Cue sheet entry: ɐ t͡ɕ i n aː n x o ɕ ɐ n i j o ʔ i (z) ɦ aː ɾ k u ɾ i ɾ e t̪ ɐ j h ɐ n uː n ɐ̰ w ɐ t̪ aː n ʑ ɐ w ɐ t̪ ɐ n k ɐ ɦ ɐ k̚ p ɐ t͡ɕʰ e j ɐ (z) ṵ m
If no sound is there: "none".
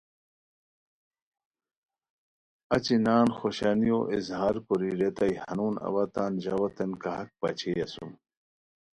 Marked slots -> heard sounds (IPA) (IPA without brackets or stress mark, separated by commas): z, s